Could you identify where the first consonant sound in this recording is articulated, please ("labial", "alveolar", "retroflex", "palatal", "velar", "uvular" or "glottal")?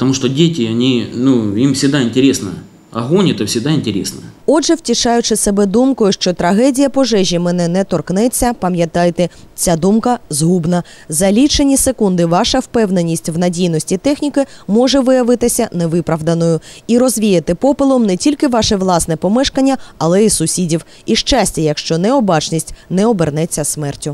labial